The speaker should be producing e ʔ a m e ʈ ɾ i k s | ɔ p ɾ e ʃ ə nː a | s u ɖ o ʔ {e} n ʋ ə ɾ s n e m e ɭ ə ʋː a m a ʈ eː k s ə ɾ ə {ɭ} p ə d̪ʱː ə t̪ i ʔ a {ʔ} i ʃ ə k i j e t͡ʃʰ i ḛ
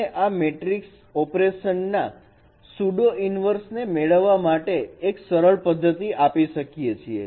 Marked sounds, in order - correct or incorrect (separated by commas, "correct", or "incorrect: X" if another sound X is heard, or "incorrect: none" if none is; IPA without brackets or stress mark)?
incorrect: i, correct, incorrect: p